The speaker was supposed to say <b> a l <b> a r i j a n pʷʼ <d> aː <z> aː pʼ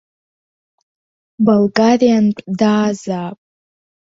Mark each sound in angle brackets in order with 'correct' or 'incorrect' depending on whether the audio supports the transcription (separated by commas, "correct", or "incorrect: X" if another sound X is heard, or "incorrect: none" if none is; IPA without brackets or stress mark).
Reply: correct, incorrect: ɡ, correct, correct